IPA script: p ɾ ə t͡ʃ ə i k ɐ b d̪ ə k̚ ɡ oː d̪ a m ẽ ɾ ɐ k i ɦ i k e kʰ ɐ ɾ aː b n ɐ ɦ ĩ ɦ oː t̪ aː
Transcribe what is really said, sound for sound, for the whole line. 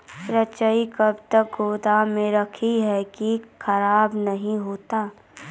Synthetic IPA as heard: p ɾ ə t͡ʃ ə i k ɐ b t̪ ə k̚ ɡ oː d̪ a m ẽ ɾ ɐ kʰ i ɦ ɛ k i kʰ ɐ ɾ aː b n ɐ ɦ ĩ ɦ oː t̪ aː